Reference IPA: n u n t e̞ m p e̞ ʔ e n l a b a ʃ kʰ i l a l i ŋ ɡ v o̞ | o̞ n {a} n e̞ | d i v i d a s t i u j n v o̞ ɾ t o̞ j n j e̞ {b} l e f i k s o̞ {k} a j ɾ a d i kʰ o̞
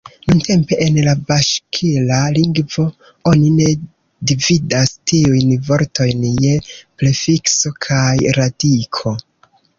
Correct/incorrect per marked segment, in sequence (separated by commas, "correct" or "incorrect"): incorrect, incorrect, incorrect